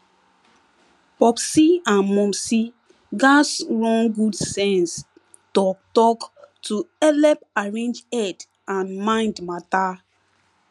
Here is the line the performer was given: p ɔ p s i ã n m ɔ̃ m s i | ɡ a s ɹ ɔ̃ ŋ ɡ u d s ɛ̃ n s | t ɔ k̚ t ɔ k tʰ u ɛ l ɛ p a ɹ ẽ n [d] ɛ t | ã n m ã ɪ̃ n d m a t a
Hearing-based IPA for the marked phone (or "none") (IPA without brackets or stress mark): d͡ʒ